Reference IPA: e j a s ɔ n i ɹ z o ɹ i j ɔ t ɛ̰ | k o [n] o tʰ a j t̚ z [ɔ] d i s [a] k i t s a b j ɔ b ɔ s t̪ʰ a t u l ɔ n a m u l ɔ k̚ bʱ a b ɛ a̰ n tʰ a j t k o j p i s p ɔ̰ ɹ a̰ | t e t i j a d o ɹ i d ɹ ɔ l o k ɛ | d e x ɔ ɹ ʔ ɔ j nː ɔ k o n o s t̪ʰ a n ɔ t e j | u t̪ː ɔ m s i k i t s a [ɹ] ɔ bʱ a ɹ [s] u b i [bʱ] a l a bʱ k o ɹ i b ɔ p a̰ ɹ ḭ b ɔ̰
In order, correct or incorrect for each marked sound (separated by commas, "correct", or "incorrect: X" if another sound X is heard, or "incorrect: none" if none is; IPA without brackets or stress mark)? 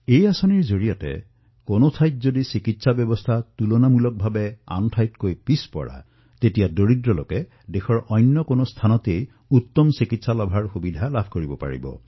correct, incorrect: o, incorrect: i, incorrect: l, incorrect: x, incorrect: dʱ